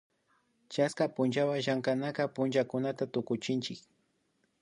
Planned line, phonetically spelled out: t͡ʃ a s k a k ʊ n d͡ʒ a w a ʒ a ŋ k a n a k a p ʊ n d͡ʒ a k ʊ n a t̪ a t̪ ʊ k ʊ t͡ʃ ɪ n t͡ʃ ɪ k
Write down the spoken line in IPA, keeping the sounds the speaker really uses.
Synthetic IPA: t͡ʃ a s k a p ʊ n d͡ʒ a w a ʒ a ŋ k a n a k a p ʊ n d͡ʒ a k ʊ n a t̪ a t̪ ʊ k ʊ t͡ʃ ɪ n t͡ʃ ɪ k

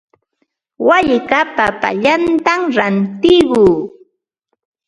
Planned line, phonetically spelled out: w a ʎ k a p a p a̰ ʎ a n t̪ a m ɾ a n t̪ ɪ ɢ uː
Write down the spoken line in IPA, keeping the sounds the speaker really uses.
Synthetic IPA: w a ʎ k a p a p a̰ ʎ a n t̪ a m ɾ a n t̪ ɪ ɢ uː

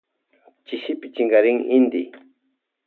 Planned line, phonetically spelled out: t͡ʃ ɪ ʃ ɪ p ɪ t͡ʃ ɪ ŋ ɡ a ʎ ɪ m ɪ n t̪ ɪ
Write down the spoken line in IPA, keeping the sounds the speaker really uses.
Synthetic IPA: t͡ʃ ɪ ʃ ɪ p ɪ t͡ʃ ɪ ŋ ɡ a ɾ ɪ ŋ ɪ n d̪ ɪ

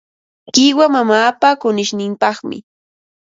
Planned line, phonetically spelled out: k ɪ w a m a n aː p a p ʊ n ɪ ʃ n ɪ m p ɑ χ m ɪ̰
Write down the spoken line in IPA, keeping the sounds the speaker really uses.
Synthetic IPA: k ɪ w a m a m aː p a k ʊ n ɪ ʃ n ɪ m p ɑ χ m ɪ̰

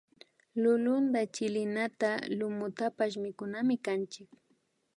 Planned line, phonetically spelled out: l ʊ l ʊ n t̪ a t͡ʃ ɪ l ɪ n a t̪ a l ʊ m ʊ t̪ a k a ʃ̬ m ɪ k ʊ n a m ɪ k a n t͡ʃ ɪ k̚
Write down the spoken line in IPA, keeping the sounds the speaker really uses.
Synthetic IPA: l ʊ l ʊ n d̪ a t͡ʃ ɪ l ɪ n a t̪ a l ʊ m ʊ t̪ a p a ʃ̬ m ɪ k ʊ n a m ɪ k a n t͡ʃ ɪ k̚

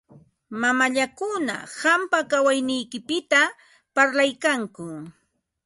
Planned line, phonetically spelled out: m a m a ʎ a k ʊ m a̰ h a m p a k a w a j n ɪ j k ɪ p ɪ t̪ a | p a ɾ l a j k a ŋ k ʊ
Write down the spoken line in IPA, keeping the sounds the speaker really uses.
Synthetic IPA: m a m a ʎ a k ʊ n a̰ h a m p a k a w a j n ɪ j k ɪ p ɪ t̪ a | p a ɾ l a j k a ŋ k ʊ

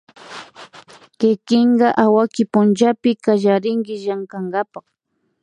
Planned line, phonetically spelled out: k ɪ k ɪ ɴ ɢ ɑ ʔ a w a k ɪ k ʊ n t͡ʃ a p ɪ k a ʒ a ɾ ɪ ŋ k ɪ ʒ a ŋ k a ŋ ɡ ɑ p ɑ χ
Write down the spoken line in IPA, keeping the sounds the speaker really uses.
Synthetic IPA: k ɪ k ɪ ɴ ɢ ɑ ʔ a w a k ɪ p ʊ n t͡ʃ a p ɪ k a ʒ a ɾ ɪ ŋ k ɪ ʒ a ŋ k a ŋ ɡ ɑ p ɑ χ

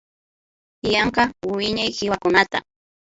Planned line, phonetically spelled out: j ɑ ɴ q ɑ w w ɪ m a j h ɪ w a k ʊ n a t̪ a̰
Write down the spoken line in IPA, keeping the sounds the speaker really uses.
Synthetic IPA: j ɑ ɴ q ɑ w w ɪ ɲ a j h ɪ w a k ʊ n a t̪ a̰

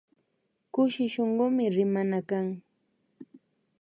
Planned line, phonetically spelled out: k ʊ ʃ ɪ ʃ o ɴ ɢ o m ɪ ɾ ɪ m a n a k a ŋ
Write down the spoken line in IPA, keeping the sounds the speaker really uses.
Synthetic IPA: k ʊ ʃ ɪ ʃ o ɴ ɢ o m ɪ ɾ ɪ m a n a k a ŋ

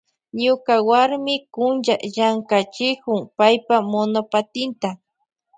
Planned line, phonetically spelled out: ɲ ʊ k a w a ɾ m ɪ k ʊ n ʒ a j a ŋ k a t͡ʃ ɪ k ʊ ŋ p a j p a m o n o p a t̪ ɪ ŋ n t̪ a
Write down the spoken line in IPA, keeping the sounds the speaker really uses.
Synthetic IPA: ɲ ʊ k a w a ɾ m ɪ k ʊ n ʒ a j a ŋ k a t͡ʃ ɪ k ʊ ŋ p a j p a m o n o p a t̪ ɪ n t̪ a

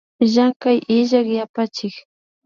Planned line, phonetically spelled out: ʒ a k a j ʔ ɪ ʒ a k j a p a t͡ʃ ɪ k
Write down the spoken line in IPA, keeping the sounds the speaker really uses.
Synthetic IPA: ʒ a k a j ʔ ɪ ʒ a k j a p a t͡ʃ ɪ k

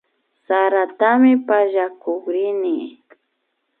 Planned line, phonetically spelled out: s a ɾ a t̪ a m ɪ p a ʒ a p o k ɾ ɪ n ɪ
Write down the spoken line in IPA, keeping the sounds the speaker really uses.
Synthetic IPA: s a ɾ a t̪ a m ɪ p a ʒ a k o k ɾ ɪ n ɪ

